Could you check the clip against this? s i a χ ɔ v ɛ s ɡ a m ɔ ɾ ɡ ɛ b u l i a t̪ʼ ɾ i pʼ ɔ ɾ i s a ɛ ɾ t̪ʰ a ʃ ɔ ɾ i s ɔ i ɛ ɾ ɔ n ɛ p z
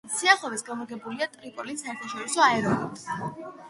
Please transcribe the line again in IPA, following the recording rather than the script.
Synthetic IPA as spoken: s i a χ ɔ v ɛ s ɡ a m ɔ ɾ ɡ ɛ b u l i a t̪ʼ ɾ i pʼ ɔ l i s a ɛ ɾ t̪ʰ a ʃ ɔ ɾ i s ɔ a ɛ ɾ ɔ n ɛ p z